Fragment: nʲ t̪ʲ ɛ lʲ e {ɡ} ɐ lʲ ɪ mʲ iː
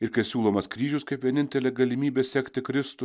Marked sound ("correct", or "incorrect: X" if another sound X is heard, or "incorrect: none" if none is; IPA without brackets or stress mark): correct